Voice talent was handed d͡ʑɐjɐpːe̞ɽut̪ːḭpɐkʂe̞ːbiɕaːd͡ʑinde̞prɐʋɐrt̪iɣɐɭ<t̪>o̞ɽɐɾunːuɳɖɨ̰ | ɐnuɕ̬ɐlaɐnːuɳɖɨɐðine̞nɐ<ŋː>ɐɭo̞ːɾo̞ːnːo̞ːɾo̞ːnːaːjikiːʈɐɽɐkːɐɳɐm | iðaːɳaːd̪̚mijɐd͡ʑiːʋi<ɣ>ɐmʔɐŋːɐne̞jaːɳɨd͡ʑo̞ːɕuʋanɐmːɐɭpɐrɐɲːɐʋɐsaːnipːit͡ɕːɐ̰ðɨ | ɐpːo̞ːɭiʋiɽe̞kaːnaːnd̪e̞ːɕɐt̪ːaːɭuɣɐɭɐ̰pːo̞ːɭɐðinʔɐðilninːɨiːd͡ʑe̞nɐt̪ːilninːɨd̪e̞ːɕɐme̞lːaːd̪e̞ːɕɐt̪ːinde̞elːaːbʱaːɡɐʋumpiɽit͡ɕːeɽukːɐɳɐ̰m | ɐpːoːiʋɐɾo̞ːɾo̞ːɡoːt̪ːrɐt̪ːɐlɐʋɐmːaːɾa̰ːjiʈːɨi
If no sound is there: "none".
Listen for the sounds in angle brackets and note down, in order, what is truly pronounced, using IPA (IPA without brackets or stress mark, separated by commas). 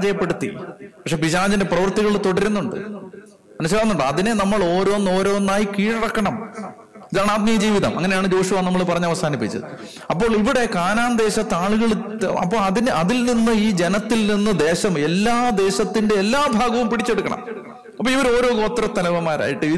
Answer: t̪, mː, ð